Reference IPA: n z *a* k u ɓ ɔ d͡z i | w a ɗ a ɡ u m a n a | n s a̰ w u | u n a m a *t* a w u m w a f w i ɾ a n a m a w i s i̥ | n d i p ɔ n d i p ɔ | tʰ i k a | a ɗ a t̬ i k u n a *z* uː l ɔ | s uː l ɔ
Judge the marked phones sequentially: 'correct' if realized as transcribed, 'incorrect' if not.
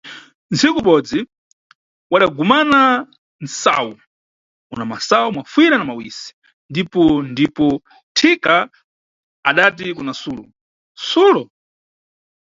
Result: incorrect, incorrect, incorrect

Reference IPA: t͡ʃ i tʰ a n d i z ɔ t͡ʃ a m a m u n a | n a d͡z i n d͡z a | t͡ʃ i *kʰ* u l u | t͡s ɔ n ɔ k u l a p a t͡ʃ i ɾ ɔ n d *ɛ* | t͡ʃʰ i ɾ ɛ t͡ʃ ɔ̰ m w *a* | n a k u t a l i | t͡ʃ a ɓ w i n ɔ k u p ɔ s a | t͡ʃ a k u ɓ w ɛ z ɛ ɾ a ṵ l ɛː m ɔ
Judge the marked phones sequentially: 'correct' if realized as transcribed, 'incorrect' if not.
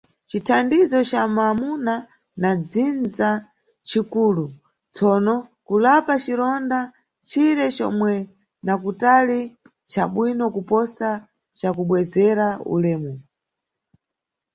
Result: incorrect, incorrect, incorrect

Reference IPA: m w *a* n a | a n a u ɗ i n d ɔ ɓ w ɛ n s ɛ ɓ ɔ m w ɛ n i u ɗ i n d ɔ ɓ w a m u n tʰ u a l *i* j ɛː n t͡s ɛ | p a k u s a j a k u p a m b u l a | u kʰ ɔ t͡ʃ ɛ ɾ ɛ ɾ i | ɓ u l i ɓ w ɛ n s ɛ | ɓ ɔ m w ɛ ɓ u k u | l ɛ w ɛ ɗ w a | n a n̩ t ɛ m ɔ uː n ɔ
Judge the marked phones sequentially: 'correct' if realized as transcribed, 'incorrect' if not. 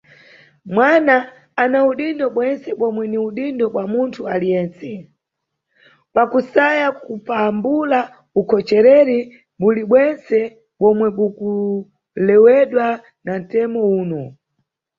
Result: correct, correct

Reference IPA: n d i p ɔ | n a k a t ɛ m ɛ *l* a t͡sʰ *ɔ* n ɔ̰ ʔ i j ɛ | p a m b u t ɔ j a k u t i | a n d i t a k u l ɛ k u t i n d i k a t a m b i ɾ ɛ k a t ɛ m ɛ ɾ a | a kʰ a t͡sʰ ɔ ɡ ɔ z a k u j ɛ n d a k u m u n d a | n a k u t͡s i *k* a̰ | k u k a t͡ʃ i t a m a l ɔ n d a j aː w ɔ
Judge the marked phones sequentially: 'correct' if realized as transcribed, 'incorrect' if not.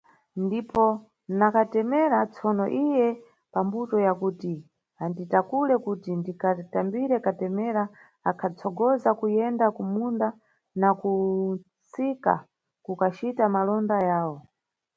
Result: incorrect, correct, correct

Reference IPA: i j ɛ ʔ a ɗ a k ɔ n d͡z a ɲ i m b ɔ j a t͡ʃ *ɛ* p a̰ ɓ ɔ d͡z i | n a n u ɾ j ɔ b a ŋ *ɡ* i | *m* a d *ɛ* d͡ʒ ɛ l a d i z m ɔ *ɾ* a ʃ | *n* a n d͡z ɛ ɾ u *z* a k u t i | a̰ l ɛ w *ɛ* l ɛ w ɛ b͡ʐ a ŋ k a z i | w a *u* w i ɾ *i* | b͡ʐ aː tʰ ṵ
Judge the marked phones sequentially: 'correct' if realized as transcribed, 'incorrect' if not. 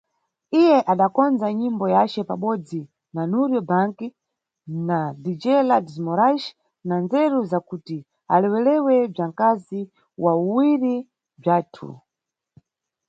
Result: correct, incorrect, incorrect, incorrect, correct, correct, correct, correct, correct, correct

